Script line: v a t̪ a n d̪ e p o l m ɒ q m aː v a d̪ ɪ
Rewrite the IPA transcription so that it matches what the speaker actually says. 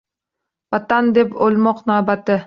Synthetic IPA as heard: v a t̪ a n d̪ e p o l m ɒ q n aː b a t̪ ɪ